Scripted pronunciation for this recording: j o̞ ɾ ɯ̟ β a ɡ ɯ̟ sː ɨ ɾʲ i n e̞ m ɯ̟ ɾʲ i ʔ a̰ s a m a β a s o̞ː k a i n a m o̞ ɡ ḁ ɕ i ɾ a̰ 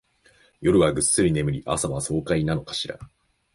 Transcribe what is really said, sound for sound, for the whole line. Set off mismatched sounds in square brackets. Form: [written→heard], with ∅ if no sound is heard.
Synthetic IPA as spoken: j o̞ ɾ ɯ̟ β a ɡ ɯ̟ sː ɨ ɾʲ i n e̞ m ɯ̟ ɾʲ i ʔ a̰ s a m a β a s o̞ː k a i n a [m→n] o̞ [ɡ→k] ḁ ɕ i ɾ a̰